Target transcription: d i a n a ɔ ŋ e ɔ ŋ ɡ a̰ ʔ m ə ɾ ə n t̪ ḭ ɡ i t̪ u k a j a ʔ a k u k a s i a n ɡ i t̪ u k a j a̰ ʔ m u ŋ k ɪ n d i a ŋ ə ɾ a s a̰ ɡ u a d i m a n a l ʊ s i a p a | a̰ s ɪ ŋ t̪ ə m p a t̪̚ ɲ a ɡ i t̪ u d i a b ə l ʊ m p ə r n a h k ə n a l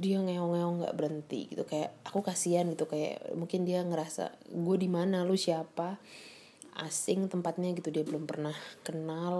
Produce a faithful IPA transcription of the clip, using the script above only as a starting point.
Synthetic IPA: d i a ŋ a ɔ ŋ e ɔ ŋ ɡ a̰ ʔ b ə ɾ ə n t̪ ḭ ɡ i t̪ u k a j a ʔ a k u k a s i a n ɡ i t̪ u k a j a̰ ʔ m u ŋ k ɪ n d i a ŋ ə ɾ a s a̰ ɡ u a d i m a n a l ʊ s i a p a | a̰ s ɪ ŋ t̪ ə m p a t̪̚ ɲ a ɡ i t̪ u d i a b ə l ʊ m p ə r n a h k ə n a l